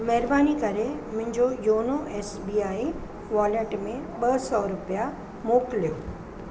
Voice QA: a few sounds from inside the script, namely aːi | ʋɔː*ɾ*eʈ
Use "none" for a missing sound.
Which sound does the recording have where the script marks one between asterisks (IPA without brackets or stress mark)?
l